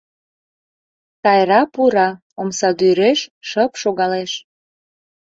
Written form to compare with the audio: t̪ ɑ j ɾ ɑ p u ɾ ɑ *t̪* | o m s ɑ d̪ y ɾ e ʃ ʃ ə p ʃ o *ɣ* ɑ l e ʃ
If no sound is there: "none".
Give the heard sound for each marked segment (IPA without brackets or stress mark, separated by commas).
none, ɣ